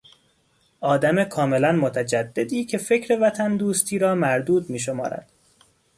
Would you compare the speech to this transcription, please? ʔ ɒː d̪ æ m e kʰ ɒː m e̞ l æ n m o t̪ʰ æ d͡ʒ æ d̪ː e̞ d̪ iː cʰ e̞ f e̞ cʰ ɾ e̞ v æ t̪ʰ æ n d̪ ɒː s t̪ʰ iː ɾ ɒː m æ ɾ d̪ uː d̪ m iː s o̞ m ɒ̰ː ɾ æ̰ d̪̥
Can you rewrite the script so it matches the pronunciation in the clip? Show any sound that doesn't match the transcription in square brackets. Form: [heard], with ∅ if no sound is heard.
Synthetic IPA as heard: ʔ ɒː d̪ æ m e kʰ ɒː m e̞ l æ n m o t̪ʰ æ d͡ʒ æ d̪ː e̞ d̪ iː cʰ e̞ f e̞ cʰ ɾ e̞ v æ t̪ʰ æ n d̪ [uː] s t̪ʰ iː ɾ ɒː m æ ɾ d̪ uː d̪ m iː [ʃ] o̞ m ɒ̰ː ɾ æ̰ d̪̥